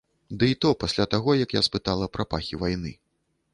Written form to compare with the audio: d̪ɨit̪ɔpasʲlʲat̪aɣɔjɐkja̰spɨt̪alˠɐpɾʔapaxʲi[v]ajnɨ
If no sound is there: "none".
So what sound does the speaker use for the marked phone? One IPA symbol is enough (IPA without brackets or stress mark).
v